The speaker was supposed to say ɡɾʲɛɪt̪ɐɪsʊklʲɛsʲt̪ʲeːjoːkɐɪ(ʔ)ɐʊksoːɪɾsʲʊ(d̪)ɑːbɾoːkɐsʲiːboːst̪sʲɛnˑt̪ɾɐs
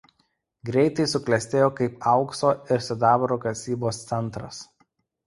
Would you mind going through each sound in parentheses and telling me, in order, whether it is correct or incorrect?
incorrect: p, correct

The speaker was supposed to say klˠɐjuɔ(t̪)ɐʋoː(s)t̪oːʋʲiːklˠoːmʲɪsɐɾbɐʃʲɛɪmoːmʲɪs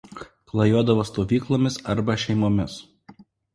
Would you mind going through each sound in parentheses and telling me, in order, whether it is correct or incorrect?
incorrect: d̪, correct

